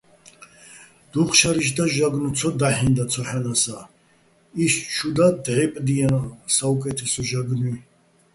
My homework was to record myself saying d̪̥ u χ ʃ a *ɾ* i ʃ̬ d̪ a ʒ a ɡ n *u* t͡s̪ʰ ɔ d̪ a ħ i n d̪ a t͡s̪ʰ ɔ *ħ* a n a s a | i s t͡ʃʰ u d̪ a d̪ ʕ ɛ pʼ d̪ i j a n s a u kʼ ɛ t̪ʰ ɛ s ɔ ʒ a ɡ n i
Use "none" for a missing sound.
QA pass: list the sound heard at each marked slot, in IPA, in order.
ɾ, u, ħ

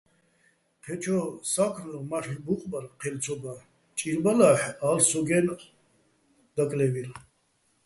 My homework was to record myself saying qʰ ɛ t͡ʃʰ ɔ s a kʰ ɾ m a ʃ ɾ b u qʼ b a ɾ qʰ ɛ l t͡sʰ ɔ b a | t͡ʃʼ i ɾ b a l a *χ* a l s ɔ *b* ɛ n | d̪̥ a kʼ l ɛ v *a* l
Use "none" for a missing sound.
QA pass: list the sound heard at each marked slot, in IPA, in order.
ħ, ɡ, i

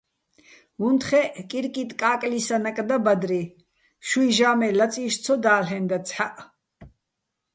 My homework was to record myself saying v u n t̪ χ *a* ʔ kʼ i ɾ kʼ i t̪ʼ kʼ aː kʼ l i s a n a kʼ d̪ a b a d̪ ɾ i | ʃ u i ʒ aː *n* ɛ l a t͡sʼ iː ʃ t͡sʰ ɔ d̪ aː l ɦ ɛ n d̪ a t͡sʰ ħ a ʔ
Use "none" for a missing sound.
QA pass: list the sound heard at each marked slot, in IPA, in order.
ɛ, m

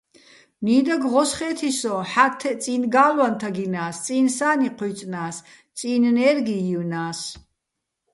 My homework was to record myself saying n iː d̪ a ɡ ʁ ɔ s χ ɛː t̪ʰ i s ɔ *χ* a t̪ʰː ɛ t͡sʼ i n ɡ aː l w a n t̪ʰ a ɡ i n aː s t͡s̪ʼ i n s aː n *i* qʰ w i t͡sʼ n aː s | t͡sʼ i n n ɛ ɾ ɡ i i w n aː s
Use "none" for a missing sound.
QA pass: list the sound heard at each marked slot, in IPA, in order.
ħ, i

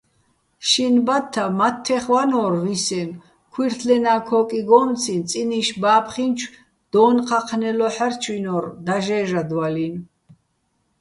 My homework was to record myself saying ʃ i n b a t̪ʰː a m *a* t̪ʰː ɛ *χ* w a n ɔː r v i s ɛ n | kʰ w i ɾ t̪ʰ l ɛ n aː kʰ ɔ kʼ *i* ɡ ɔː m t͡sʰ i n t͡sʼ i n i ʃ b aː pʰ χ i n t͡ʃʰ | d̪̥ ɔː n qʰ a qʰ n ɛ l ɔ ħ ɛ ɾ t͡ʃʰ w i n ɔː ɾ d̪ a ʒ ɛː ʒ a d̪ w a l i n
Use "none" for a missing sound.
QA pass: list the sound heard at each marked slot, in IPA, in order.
a, χ, i

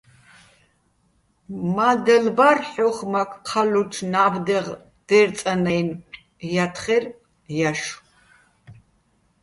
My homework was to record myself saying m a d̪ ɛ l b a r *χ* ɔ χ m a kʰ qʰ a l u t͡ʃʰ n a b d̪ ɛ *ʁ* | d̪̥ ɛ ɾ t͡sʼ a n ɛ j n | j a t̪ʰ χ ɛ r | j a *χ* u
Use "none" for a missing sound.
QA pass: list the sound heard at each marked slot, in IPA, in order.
ħ, ʁ, ʃ

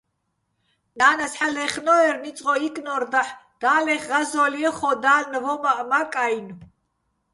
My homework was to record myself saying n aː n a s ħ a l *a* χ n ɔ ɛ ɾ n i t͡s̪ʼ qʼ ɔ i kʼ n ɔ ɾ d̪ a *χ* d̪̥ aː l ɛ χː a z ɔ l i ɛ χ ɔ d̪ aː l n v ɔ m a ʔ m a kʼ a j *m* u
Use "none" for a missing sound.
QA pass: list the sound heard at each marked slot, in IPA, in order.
ɛ, ħ, n

